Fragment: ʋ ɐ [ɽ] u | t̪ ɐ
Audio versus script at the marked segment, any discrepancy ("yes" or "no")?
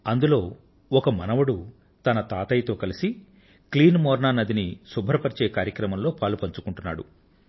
no